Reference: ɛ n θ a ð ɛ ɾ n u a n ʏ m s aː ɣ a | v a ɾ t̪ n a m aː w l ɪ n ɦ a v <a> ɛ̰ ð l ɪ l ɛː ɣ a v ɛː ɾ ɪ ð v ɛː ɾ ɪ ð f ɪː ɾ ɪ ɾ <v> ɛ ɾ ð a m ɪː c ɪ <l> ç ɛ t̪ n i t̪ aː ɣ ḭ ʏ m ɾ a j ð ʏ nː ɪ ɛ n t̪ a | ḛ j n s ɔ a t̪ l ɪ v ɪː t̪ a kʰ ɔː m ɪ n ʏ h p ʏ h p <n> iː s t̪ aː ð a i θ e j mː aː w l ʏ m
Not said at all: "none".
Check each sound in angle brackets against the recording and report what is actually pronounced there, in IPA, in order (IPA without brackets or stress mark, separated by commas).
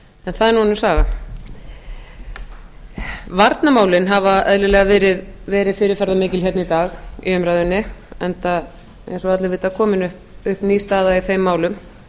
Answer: a, f, l, n